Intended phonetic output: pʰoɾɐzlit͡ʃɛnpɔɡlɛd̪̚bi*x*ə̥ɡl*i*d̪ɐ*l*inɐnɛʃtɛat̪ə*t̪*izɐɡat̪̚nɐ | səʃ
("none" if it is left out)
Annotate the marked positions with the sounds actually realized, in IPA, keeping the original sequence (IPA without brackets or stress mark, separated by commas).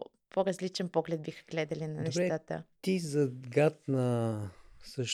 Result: x, ɛ, l, t̪